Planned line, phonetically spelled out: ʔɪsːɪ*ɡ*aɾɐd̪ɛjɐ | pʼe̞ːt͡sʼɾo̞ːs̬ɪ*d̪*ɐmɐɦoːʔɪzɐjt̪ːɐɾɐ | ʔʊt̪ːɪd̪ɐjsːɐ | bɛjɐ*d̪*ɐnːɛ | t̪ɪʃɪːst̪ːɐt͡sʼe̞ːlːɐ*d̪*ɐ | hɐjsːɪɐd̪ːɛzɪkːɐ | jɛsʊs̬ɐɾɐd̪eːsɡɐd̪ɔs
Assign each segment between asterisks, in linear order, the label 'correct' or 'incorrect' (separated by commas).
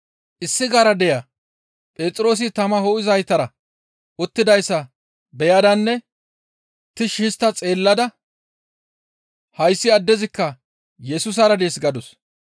correct, incorrect, correct, correct